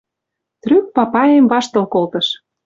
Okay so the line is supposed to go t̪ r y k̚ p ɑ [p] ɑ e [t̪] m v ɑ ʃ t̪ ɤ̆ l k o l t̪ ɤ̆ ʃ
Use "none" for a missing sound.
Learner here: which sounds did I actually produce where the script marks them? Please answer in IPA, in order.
p, none

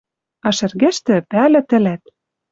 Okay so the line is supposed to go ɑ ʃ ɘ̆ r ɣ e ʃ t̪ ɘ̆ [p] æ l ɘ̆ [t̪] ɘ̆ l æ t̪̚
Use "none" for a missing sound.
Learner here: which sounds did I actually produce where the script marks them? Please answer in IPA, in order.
p, t̪

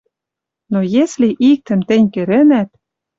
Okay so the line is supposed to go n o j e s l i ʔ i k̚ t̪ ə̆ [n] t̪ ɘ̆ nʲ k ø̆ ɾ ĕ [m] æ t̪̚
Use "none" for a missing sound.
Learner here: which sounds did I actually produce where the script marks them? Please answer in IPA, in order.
m, n

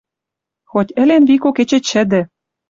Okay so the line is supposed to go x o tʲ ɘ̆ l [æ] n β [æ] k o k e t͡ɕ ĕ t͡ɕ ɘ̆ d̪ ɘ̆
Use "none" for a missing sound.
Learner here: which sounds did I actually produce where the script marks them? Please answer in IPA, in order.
e, i

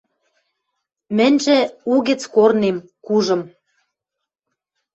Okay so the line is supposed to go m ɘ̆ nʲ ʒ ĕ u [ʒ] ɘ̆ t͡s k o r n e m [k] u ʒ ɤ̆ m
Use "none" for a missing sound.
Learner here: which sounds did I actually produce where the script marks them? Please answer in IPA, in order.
ɣ, k

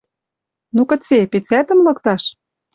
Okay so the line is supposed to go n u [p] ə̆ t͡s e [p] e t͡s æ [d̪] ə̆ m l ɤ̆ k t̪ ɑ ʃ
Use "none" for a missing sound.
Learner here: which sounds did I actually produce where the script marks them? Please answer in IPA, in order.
k, p, t̪

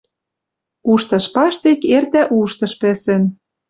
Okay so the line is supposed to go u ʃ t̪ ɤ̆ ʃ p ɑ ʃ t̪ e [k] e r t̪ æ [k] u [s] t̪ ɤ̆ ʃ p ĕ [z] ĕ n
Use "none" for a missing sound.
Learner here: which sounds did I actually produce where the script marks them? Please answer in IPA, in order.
k, ʔ, ʃ, s

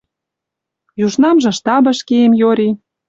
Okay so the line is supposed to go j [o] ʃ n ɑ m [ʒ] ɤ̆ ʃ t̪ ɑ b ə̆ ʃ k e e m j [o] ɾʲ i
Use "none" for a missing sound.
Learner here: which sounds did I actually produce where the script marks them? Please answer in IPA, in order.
u, ʒ, o

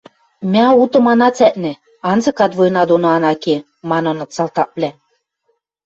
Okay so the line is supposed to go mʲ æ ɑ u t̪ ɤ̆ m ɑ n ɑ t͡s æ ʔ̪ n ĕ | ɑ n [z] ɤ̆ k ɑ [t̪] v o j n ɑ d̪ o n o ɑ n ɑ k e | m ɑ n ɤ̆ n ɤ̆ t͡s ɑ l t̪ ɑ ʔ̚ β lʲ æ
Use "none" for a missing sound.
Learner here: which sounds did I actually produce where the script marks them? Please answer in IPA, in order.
z, t̪

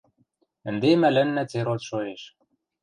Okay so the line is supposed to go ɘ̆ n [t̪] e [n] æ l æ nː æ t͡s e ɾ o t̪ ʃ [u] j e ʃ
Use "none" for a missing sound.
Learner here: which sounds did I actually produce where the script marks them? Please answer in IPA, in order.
d̪, m, o

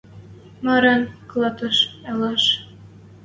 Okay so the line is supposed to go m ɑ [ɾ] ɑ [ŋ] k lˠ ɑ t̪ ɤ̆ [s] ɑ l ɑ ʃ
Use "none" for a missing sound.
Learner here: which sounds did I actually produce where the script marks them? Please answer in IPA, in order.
ɾ, n, ʃ

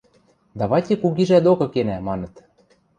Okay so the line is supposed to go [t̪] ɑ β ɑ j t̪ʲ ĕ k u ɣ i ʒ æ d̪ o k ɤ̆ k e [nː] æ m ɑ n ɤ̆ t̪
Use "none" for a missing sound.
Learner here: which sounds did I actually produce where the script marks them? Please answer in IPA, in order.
d̪, n

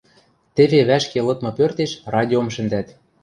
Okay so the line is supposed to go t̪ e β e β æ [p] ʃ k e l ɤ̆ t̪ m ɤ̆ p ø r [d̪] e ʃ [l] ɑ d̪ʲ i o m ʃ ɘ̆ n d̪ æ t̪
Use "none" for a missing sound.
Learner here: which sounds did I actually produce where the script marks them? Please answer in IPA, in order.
none, t̪, r

